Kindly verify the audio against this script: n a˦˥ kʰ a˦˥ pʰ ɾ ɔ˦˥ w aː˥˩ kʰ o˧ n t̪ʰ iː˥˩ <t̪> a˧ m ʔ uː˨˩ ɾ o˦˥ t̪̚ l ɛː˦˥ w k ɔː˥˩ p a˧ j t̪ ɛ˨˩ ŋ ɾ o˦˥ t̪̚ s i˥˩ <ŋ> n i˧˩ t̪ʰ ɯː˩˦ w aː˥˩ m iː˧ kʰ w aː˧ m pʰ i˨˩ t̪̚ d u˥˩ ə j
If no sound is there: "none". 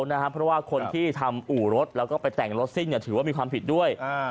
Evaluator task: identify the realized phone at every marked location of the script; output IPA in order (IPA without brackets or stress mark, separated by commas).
t̪ʰ, ŋ